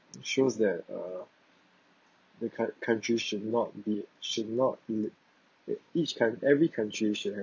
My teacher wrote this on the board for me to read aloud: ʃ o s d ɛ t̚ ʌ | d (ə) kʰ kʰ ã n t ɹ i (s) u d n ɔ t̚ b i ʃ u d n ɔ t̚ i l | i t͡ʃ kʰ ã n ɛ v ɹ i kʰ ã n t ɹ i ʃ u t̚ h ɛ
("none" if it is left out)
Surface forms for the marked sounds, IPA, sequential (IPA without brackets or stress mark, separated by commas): ə, ʃ